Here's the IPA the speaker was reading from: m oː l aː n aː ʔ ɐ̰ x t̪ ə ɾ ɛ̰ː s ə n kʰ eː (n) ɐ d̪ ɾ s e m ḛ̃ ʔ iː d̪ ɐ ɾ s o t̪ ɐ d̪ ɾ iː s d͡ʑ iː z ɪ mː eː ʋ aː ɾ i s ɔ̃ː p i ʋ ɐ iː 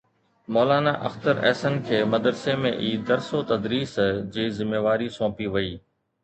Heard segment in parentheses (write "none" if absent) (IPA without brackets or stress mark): m